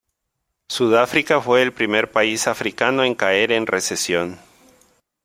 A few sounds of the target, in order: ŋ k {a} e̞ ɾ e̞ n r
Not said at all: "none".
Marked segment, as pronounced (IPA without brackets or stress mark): a